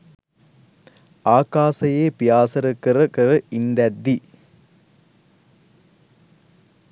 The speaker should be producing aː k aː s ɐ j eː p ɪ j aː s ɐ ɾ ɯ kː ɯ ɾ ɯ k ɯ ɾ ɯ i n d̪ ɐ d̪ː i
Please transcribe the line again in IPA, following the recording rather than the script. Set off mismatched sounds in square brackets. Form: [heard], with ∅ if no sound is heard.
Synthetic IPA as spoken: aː k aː s ɐ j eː p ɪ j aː s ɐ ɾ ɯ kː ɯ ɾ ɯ k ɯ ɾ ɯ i n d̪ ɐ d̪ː i